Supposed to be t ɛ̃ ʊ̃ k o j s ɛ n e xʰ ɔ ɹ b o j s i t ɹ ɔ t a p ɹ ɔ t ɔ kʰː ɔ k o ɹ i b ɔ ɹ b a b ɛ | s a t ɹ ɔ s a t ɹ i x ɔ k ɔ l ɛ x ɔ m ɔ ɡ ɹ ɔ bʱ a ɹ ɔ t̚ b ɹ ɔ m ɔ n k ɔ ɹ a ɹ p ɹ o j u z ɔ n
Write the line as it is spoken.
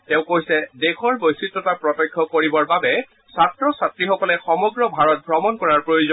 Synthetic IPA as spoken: t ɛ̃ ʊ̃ k o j s ɛ d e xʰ ɔ ɹ b o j s i t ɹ ɔ t a p ɹ ɔ t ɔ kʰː ɔ k o ɹ i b ɔ ɹ b a b ɛ | s a t ɹ ɔ s a t ɹ i x ɔ k ɔ l ɛ x ɔ m ɔ ɡ ɹ ɔ bʱ a ɹ ɔ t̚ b ɹ ɔ m ɔ n k ɔ ɹ a ɹ p ɹ o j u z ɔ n